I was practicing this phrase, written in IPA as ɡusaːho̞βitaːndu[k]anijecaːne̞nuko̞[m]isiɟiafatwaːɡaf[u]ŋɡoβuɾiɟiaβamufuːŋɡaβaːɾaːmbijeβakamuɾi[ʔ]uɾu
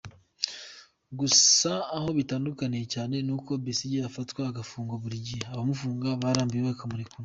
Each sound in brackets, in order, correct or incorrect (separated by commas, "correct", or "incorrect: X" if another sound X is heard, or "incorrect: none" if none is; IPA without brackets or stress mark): correct, incorrect: b, incorrect: uː, incorrect: k